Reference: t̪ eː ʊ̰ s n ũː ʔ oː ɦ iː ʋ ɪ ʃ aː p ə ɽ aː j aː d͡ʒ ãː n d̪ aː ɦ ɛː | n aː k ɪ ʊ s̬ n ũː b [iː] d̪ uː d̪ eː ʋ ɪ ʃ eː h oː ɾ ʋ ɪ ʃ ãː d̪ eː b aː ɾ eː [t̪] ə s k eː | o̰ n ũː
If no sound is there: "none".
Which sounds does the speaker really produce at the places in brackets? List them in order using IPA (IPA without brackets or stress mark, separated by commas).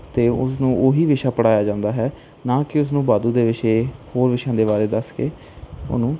aː, d̪